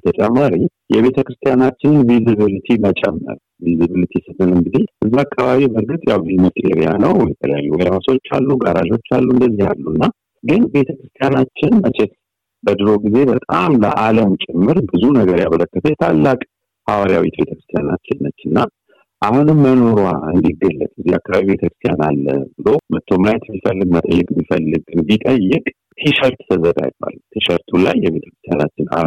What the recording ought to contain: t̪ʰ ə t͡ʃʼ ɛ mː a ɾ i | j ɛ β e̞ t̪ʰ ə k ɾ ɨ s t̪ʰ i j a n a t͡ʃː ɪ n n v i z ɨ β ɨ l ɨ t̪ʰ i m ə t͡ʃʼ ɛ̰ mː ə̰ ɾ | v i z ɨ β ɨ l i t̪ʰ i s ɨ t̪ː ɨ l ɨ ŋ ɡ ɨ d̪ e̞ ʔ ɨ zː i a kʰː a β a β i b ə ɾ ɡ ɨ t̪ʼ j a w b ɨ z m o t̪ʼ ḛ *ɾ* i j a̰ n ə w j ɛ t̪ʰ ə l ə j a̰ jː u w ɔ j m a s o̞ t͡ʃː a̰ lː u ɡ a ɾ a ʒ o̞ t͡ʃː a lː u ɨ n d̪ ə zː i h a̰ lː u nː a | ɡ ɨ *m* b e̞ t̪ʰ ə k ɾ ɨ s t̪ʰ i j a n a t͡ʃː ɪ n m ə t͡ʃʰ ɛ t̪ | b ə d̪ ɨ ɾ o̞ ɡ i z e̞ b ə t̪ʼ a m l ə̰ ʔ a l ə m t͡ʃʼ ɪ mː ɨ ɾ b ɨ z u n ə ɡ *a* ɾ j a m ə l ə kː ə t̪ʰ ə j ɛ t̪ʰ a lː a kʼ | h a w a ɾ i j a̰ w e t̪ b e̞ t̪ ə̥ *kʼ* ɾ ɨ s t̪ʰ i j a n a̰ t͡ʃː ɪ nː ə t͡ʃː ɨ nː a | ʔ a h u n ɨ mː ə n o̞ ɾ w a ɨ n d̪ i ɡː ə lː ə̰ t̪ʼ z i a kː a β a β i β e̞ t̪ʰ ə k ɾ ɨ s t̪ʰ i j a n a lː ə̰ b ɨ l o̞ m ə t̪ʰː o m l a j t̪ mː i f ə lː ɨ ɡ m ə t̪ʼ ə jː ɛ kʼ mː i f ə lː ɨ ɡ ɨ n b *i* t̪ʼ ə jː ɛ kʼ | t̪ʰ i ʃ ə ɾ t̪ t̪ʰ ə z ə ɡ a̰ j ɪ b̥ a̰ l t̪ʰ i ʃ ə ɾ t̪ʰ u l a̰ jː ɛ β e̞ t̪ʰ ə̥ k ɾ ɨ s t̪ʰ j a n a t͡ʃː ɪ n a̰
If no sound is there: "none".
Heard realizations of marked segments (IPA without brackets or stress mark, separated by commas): ɾ, n, ə, k, i